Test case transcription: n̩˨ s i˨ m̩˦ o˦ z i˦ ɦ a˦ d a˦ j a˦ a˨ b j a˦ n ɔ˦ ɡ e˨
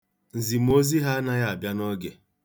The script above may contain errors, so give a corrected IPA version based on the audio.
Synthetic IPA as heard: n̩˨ z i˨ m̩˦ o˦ z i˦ ɦ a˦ n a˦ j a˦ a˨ b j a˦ n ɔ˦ ɡ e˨